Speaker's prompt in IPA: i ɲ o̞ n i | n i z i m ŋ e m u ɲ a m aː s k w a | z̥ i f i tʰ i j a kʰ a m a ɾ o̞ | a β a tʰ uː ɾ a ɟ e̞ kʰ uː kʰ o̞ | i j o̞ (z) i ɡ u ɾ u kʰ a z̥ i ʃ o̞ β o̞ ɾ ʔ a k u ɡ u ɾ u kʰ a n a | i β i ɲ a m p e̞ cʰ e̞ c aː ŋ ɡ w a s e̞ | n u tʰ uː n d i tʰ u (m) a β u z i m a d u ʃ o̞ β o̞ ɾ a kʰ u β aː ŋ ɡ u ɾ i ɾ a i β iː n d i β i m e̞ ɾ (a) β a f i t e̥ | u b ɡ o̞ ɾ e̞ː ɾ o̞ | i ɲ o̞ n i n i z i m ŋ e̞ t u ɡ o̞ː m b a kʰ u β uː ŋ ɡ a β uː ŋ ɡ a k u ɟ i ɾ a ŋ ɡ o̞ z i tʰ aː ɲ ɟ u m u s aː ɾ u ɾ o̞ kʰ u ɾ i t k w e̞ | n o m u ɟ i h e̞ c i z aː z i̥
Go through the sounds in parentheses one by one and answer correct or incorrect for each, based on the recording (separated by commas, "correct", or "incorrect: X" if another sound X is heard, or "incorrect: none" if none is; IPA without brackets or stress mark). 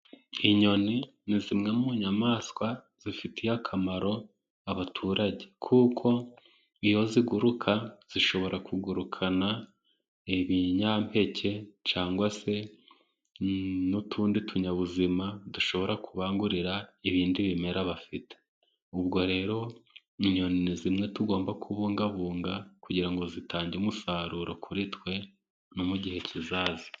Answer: correct, incorrect: ɲ, correct